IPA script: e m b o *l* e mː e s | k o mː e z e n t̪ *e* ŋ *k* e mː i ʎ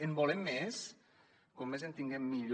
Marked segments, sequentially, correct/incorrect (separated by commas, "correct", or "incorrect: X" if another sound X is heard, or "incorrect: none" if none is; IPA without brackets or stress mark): correct, incorrect: i, incorrect: ɡ